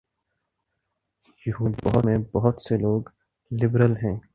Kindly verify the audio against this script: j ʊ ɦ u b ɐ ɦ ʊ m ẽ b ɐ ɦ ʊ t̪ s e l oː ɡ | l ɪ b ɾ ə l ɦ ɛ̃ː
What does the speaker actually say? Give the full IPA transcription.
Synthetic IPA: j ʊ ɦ u b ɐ ɦ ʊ m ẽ b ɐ ɦ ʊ t̪ s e l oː ɡ | l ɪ b ɾ ə l ɦ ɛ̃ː